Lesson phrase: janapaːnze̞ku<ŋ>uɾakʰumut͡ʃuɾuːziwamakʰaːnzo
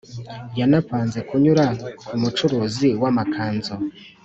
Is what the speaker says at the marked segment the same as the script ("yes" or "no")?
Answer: no